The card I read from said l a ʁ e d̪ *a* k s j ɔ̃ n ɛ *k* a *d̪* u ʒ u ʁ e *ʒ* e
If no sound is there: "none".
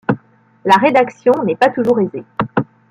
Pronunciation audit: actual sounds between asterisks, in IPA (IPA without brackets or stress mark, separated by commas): a, p, t̪, z